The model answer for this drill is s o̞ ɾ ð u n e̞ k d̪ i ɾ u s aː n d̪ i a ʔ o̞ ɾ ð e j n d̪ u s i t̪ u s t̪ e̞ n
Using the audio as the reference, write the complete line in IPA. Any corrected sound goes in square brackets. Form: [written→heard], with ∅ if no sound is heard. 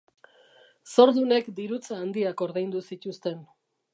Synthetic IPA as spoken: s o̞ ɾ ð u n e̞ k d̪ i ɾ u [s→t͡s] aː n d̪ i a [ʔ→k] o̞ ɾ ð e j n d̪ u s i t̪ u s t̪ e̞ n